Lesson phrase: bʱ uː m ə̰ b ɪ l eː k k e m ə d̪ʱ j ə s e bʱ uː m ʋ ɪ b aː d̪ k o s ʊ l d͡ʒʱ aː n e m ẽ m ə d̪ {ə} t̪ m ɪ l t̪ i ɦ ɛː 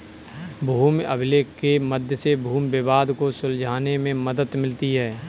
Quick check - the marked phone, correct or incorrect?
correct